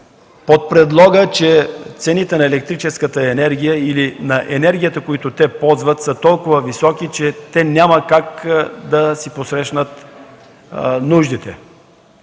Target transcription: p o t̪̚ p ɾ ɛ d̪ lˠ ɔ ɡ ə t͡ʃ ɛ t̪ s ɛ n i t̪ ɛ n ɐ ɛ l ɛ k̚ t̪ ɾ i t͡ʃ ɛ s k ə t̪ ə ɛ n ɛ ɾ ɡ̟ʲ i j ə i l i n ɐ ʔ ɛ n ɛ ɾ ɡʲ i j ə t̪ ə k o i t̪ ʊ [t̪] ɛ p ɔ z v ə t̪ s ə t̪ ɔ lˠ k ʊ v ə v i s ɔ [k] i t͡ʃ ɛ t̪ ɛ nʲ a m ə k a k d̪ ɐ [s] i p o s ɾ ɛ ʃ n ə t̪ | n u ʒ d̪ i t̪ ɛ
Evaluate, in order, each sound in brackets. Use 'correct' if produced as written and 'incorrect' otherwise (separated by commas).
correct, correct, correct